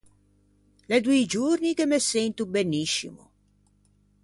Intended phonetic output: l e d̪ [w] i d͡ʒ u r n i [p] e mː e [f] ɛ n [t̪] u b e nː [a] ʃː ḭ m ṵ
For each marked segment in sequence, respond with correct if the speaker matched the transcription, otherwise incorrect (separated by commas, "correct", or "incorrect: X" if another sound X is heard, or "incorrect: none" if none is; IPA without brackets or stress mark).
incorrect: u, incorrect: k, incorrect: s, correct, incorrect: i